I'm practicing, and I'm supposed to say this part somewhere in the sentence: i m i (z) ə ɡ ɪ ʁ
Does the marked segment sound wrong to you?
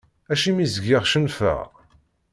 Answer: no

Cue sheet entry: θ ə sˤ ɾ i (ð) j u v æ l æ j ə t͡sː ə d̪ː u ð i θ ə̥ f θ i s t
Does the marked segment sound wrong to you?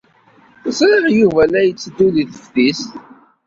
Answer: yes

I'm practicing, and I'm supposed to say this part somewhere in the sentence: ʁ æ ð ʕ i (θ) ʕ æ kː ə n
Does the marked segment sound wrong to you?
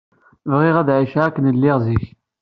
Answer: yes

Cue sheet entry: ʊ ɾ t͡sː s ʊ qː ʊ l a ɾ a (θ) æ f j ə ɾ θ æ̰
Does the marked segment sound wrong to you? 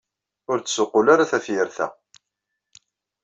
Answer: no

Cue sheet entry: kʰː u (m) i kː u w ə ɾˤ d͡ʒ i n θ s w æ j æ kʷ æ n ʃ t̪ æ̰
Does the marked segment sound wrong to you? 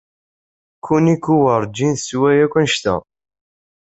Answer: yes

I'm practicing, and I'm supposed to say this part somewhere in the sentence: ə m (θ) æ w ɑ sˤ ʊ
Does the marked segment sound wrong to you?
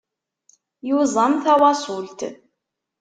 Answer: no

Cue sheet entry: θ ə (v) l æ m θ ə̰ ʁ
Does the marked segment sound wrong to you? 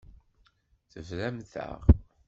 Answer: no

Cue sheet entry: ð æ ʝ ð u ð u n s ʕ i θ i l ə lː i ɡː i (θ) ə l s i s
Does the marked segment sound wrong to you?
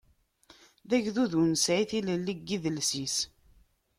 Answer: yes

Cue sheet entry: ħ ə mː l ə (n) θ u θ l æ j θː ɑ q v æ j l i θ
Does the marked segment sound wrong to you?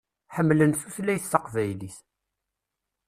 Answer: no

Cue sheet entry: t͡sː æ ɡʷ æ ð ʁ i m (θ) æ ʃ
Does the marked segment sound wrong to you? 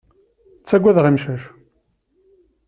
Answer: yes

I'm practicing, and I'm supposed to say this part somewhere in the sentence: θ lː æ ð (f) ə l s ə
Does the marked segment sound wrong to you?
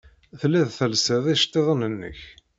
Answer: yes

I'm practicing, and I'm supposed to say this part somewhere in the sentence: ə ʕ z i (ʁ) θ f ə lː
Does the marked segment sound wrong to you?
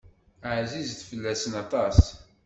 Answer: yes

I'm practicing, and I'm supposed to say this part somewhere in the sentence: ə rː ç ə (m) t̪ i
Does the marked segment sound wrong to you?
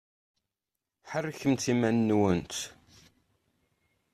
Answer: no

